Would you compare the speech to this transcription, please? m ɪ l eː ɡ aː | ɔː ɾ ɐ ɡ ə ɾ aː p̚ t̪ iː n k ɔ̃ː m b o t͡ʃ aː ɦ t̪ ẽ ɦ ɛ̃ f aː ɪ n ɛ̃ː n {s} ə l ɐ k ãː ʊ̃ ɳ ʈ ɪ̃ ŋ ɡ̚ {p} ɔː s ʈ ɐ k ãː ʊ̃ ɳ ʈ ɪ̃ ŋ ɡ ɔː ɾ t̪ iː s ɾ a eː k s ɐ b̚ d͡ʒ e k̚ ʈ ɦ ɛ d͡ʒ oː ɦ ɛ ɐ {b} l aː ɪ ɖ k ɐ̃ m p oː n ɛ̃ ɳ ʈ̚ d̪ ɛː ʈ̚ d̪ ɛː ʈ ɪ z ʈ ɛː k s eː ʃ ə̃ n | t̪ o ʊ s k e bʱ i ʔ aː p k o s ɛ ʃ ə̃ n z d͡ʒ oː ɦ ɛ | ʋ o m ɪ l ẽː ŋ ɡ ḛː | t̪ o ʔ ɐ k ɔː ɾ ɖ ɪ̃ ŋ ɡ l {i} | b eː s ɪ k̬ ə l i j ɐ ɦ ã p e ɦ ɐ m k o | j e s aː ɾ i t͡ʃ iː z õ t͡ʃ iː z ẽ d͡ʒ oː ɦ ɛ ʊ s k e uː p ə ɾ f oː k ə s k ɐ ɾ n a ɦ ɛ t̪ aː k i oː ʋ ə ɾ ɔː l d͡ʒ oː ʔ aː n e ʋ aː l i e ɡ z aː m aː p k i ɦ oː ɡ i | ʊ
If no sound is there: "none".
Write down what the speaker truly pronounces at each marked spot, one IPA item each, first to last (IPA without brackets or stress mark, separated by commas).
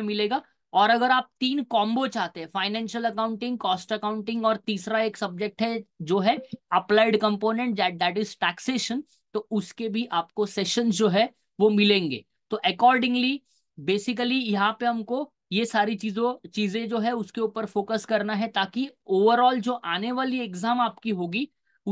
ʃ, k, p, i